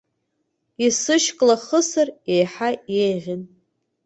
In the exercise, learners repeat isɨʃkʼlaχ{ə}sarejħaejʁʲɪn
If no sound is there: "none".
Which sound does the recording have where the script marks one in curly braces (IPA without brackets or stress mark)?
ə